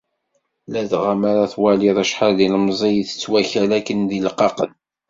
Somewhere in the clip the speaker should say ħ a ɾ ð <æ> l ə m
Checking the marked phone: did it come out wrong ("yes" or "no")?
yes